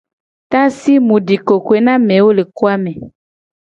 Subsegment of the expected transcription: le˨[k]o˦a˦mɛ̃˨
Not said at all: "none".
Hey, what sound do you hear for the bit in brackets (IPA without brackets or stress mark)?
k